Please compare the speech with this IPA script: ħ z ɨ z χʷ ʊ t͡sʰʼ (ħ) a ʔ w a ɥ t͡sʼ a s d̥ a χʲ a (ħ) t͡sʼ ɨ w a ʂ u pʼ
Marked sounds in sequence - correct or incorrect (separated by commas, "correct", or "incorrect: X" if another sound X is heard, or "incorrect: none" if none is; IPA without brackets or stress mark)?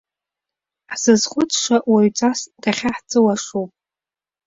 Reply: incorrect: ʂ, correct